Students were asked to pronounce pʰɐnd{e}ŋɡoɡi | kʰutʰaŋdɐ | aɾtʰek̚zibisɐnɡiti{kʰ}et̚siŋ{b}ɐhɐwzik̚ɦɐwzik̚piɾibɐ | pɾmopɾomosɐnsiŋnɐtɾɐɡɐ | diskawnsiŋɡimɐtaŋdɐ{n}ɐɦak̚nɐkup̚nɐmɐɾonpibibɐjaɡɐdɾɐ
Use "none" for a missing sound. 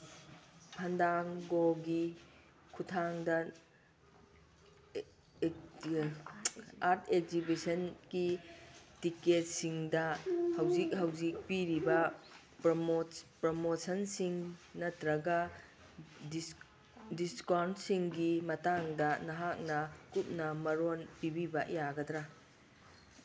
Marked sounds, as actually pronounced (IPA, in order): a, k, d, n

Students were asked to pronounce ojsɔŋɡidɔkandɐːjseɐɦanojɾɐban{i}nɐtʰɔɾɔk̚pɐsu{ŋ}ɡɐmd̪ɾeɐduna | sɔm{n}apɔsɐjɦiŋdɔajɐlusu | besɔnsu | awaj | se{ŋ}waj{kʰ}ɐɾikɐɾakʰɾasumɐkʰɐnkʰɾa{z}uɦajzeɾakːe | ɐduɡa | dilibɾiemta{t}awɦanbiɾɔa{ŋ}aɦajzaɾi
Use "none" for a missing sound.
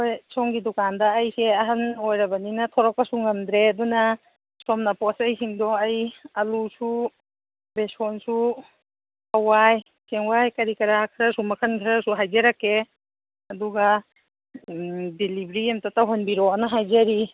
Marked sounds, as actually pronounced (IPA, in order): i, ŋ, n, ŋ, k, s, t, n

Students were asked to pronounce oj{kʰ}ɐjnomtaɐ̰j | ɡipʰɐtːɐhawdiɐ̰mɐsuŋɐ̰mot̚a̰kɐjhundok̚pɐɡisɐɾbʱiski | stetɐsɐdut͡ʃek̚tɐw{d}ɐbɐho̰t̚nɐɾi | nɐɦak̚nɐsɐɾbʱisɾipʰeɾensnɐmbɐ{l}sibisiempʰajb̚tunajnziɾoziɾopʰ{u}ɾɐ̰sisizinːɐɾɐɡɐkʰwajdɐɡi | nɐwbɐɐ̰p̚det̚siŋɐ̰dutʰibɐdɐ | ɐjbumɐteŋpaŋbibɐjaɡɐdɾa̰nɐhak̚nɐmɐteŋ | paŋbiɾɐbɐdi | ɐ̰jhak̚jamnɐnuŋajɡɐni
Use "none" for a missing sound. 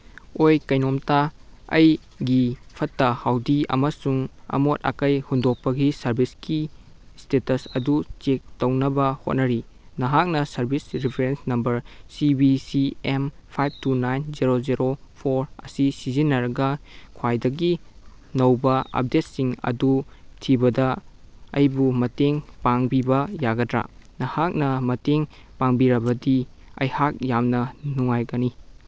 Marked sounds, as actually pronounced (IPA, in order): k, n, ɾ, o

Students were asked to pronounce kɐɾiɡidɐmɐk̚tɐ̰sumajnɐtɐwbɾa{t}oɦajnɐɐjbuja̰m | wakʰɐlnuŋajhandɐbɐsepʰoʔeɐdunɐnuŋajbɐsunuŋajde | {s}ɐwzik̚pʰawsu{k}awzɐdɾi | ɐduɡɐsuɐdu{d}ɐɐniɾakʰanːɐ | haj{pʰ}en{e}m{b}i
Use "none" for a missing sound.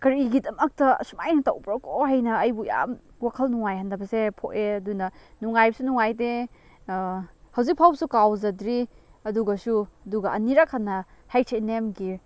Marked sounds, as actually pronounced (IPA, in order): k, h, k, ɡ, tʰ, e, ɡ

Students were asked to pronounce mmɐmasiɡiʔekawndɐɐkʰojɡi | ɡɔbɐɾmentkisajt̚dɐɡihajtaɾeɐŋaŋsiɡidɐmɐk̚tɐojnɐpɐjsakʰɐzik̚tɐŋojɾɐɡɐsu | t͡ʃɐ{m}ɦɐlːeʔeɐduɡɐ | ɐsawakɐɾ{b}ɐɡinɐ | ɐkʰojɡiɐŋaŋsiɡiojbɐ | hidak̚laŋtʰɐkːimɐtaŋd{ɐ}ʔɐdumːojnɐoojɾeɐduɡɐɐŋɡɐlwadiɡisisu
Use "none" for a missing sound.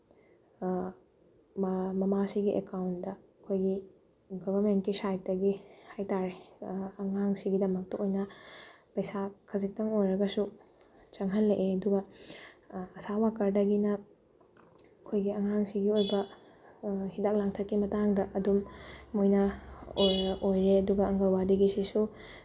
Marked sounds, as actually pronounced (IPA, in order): ŋ, d, ɐ

